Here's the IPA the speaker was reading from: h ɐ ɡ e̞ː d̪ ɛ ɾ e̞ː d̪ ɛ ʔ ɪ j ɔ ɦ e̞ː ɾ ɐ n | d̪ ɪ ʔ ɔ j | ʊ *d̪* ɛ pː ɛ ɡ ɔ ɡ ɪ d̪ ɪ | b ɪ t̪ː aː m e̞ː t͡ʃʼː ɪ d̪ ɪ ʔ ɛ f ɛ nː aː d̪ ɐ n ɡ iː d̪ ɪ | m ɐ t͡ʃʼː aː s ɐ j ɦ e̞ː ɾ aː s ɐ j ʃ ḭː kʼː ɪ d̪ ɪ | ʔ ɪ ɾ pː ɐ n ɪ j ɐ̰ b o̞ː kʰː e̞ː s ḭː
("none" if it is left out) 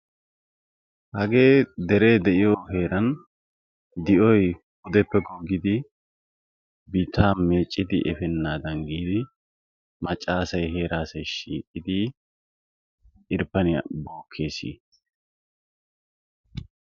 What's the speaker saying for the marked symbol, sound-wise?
d̪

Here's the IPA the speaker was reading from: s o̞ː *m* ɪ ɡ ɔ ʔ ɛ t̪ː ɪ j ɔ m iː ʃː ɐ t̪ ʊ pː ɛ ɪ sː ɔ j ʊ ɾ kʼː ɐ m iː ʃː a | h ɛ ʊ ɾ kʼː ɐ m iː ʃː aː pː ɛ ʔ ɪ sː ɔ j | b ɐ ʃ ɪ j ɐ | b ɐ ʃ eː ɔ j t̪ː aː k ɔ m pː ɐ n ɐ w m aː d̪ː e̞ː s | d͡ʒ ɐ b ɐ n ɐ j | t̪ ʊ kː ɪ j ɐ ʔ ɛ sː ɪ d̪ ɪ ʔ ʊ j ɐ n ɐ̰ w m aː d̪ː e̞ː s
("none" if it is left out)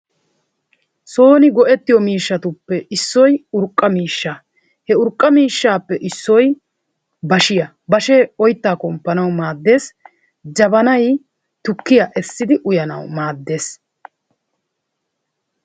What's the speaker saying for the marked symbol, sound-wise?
n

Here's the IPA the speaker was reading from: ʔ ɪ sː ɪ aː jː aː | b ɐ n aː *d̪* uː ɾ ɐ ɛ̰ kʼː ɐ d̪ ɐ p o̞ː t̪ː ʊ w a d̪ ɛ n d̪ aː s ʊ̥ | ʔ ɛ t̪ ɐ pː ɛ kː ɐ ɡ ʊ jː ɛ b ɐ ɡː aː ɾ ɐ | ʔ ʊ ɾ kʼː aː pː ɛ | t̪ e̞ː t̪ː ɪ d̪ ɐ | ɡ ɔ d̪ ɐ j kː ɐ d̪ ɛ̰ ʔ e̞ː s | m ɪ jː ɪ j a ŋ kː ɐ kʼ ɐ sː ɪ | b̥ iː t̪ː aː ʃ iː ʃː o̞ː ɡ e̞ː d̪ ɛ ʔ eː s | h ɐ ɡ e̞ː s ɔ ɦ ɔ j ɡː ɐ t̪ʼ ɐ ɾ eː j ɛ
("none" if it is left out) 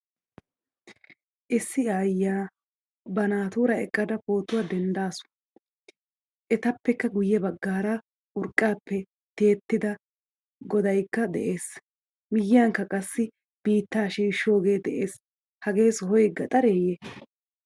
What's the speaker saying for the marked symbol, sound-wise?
t̪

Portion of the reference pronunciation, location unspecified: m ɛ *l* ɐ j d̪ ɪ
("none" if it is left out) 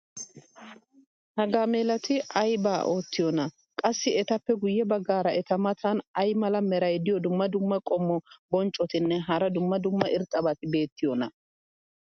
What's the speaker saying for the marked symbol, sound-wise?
ɾ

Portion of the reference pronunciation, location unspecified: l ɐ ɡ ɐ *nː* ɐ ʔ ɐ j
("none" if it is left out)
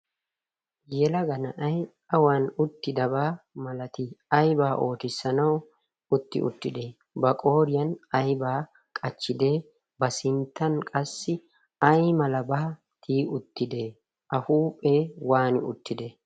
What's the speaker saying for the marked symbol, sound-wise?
n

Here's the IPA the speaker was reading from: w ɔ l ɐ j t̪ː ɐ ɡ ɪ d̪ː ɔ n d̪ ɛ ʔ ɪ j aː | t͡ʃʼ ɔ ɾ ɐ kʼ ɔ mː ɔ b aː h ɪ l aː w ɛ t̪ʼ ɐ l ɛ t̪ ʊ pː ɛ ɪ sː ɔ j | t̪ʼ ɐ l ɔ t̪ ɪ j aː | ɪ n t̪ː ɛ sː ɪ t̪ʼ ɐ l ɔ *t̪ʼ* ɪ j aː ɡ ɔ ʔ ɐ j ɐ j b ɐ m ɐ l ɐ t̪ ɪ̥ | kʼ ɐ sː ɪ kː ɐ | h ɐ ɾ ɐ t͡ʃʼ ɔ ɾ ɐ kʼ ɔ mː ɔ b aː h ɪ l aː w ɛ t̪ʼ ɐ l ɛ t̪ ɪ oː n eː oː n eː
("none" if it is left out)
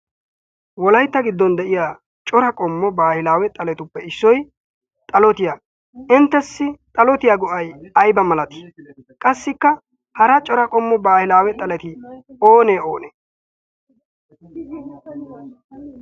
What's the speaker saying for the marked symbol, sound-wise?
t̪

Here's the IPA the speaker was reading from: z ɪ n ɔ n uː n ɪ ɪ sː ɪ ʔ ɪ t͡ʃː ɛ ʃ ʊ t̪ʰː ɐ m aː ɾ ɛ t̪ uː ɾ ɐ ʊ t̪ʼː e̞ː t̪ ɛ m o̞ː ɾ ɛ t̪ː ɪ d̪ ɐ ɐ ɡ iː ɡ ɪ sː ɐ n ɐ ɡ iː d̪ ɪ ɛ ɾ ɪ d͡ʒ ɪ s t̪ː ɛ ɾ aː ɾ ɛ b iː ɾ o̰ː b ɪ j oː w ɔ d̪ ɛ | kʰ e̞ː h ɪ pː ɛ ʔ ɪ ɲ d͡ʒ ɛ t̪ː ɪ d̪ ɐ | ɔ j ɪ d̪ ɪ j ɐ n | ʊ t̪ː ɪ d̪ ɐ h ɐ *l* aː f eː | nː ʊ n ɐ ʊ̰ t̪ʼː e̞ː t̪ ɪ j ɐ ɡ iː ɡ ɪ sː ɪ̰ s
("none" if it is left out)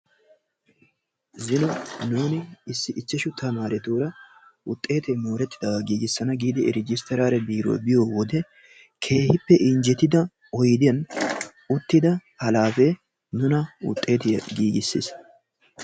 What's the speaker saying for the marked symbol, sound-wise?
l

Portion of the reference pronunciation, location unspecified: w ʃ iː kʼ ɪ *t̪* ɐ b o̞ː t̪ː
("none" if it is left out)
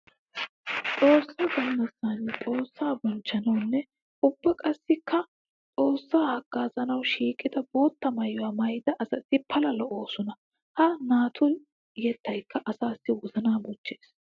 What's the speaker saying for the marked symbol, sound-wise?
d̪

